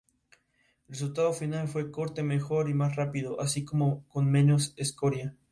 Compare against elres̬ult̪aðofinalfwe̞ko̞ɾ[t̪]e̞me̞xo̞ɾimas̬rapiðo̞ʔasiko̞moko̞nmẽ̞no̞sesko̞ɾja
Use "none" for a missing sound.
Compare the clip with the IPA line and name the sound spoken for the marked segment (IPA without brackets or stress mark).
t̪